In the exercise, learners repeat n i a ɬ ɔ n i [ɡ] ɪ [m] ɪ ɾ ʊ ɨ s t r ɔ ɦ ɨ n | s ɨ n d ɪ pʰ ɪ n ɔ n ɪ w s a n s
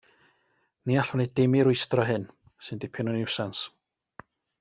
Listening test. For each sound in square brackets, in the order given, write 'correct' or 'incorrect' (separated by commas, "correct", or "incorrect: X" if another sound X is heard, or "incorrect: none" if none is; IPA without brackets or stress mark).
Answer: incorrect: d, correct